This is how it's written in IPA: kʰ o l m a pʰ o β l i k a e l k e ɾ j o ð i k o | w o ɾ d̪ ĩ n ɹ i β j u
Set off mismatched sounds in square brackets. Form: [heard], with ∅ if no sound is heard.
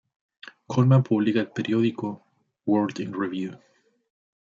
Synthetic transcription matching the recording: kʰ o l m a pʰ [u] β l i k a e l [p] e ɾ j o ð i k o | w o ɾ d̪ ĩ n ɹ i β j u